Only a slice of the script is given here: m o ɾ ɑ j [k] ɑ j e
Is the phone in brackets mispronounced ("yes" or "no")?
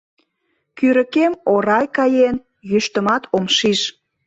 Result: no